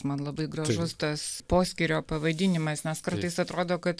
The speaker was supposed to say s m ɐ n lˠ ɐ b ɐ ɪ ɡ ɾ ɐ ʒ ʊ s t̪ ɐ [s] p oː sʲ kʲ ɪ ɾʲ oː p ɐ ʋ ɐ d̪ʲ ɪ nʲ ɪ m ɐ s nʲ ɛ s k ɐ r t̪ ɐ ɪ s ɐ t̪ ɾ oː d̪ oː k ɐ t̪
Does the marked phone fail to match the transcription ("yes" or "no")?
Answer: no